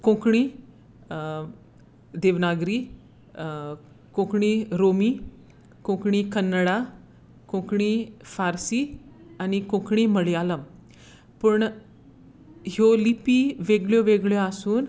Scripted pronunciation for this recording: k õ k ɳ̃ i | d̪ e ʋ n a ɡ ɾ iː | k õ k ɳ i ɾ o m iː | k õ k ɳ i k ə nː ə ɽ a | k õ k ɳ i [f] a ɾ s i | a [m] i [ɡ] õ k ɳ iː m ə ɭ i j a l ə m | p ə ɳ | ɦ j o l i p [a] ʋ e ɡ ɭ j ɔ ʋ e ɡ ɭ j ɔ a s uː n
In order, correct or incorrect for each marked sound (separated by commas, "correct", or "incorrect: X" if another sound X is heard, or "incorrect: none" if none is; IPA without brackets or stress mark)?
correct, incorrect: n, incorrect: k, incorrect: i